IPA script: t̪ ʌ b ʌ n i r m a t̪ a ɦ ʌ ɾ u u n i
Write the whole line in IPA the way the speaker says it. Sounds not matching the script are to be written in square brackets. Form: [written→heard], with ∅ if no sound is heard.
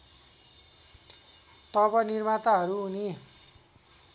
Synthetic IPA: t̪ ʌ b ʌ n i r m a t̪ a ɦ ʌ ɾ u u n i